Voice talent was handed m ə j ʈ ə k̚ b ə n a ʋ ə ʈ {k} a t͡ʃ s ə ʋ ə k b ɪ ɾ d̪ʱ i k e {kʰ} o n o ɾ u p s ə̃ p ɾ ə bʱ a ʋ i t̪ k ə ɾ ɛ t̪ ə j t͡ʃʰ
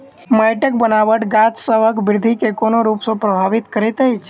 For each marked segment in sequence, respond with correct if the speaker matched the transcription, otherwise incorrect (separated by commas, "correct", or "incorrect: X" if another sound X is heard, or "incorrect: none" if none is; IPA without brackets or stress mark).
incorrect: ɡ, incorrect: k